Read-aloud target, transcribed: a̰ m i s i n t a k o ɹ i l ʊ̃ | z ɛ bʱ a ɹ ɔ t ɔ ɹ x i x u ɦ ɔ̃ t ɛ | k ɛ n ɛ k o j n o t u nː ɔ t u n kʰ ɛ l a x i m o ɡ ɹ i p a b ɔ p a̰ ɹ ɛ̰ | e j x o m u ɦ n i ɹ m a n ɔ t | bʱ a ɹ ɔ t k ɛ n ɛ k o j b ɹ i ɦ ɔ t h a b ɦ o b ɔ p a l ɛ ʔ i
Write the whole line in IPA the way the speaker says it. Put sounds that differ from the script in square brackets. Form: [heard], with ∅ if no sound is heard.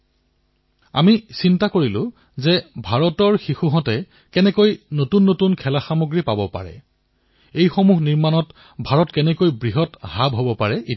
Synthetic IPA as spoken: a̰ m i s i n t a k o ɹ i l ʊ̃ | z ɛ bʱ a ɹ ɔ t ɔ ɹ x i x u ɦ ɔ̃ t ɛ | k ɛ n ɛ k o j n o t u nː [o] t u n kʰ ɛ l a x [a] m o ɡ ɹ i p a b ɔ p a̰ ɹ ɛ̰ | e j x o m u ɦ n i ɹ m a n ɔ t | bʱ a ɹ ɔ t k ɛ n ɛ k o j b ɹ i ɦ ɔ t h a b ɦ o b ɔ p a [ɹ] ɛ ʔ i

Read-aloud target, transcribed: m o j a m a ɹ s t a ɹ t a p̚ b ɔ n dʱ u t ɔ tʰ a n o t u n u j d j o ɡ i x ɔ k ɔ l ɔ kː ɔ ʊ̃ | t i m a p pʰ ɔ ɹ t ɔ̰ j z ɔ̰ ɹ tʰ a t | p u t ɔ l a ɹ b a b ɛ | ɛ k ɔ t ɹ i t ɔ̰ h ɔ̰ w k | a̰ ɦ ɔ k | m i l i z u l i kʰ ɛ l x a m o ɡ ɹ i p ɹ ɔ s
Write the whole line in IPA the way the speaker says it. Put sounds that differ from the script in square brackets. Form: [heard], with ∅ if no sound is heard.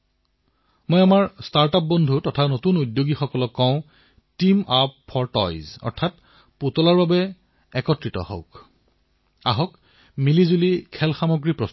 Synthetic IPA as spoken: m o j a m a ɹ s t a ɹ t a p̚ b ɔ n dʱ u t ɔ tʰ a n o t u n u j d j o ɡ i x ɔ k ɔ l ɔ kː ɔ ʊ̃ | t i m a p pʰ ɔ ɹ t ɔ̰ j z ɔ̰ ɹ tʰ a t | p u t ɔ l a ɹ b a b ɛ | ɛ k ɔ t ɹ i t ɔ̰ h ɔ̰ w k | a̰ ɦ ɔ k | m i l i z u l i kʰ ɛ l x a m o ɡ ɹ i p ɹ ɔ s

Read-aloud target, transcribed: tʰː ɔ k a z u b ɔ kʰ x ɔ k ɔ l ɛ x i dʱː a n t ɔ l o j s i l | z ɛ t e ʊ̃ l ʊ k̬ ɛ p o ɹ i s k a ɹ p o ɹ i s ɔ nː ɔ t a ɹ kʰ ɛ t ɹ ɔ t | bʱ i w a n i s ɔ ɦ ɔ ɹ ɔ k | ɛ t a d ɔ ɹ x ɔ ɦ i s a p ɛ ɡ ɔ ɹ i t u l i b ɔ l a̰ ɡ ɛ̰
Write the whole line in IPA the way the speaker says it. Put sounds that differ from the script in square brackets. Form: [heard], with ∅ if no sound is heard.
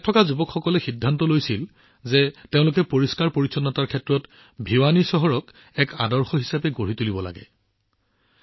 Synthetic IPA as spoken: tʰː ɔ k a z u b ɔ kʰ x ɔ k ɔ l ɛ x i dʱː a n t ɔ l o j s i l | z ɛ t e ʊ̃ l ʊ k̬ ɛ p o ɹ i s k a ɹ p o ɹ i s ɔ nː ɔ t a ɹ kʰ ɛ t ɹ ɔ t | bʱ i w a n i s ɔ ɦ ɔ ɹ ɔ k | ɛ [k] a d ɔ ɹ x ɔ ɦ i s a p ɛ ɡ [o] ɹ i t u l i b ɔ l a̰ ɡ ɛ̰

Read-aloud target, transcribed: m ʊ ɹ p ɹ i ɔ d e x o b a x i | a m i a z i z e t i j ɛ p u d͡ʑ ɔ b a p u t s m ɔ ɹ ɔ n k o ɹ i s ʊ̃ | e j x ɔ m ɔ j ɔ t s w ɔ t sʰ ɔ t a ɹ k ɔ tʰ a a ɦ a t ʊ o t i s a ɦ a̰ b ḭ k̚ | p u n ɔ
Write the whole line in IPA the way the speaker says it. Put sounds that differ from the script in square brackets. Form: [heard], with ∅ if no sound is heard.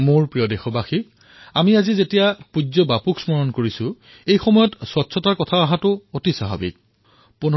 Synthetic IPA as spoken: m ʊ ɹ p ɹ i ɔ d e x [ɔ] b a x i | a m i a z i z e t i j [a] p u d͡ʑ ɔ b a p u [k] s m ɔ ɹ ɔ n k o ɹ i s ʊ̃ | e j x ɔ m ɔ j ɔ t s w ɔ t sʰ ɔ t a ɹ k ɔ tʰ a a ɦ a t ʊ o t i s a ɦ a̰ b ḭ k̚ | p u n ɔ

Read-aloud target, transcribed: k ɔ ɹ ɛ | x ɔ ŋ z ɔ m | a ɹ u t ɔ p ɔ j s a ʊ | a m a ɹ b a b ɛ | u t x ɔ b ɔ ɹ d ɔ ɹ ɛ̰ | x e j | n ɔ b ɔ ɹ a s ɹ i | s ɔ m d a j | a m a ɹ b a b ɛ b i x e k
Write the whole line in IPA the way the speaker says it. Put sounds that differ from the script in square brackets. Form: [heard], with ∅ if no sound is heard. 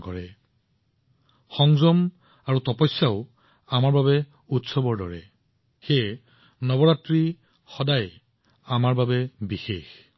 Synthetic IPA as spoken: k ɔ ɹ ɛ | x ɔ ŋ z ɔ m | a ɹ u t ɔ p ɔ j s a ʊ | a m a ɹ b a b ɛ | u t [s] ɔ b ɔ ɹ d ɔ ɹ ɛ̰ | x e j | n ɔ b ɔ ɹ a [t] ɹ i | [x] ɔ [∅] d a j | a m a ɹ b a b ɛ b i x e [x]

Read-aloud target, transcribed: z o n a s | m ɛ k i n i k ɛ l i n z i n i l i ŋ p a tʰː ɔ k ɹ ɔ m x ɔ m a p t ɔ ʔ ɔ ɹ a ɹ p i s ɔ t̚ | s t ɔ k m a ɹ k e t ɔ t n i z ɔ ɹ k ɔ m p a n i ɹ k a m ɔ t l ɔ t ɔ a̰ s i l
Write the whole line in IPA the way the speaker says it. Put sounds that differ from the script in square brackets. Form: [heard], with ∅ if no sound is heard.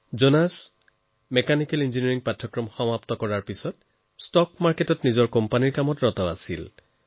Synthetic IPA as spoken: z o n a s | m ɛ k [a] n i k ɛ l i n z i n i [ɹ] i ŋ p a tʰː ɔ k ɹ ɔ m x ɔ m a p t ɔ [k] ɔ ɹ a ɹ p i s ɔ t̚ | s t ɔ k m a ɹ k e t ɔ t n i z ɔ ɹ k ɔ m p a n i ɹ k a m ɔ t [ɹ] ɔ t ɔ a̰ s i l

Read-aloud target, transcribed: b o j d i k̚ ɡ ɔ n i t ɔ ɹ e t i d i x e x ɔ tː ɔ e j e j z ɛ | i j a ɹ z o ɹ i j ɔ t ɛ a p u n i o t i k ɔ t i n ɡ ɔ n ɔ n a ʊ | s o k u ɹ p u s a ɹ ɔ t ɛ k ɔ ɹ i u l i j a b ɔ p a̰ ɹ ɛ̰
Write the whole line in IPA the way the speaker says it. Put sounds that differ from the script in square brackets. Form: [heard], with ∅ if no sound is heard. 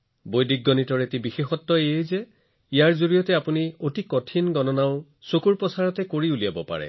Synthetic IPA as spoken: b o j d i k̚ ɡ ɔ n i t ɔ ɹ e t i [b] i x e x ɔ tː ɔ e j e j z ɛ | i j a ɹ z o ɹ i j ɔ t ɛ a p u n i o t i k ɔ [tʰ] i n ɡ ɔ n ɔ n a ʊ | s o k u ɹ p [ɔ] s a ɹ ɔ t ɛ k [o] ɹ i u l i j a b ɔ p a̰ ɹ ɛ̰

